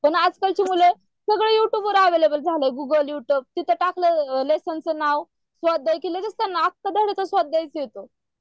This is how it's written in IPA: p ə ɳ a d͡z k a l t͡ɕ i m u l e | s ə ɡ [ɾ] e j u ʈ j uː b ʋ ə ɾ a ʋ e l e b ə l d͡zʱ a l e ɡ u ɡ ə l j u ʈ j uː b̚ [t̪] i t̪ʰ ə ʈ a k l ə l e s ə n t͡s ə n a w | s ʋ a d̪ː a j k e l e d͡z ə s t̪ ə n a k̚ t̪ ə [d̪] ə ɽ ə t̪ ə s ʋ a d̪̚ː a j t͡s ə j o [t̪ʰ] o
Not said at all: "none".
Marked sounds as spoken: ɭ, t̪, d̪, t̪

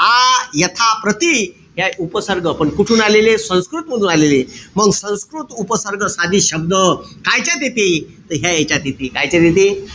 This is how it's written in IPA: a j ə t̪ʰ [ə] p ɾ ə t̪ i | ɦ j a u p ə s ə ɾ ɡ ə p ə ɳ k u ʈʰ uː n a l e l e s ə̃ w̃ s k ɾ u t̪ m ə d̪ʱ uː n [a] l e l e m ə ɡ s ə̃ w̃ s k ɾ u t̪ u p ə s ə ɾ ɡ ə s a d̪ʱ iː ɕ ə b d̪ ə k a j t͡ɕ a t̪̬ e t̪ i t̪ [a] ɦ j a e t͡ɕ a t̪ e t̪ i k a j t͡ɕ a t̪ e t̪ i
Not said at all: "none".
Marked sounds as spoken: a, a, ə

